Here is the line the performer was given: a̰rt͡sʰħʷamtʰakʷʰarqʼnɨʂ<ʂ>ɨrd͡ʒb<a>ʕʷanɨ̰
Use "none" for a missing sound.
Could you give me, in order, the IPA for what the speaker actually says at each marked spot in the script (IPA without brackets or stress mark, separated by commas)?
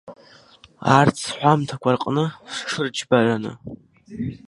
ʂ, a